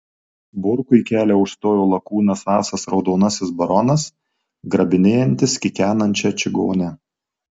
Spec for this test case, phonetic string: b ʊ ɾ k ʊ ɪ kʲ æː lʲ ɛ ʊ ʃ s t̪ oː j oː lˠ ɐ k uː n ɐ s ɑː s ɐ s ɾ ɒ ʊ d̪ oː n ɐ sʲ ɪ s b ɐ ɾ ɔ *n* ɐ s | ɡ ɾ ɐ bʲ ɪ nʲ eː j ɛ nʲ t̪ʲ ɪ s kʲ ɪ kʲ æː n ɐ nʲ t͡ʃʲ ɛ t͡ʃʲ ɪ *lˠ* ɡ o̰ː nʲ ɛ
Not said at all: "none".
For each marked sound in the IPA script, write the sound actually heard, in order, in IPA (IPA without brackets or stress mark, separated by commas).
n, none